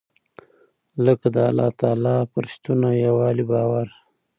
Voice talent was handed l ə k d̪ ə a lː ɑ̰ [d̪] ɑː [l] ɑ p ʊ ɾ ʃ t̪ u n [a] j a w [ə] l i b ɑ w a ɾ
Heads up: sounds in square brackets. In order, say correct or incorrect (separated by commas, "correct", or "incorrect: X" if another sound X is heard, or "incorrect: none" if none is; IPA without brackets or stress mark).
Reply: incorrect: t̪, correct, correct, incorrect: ɑ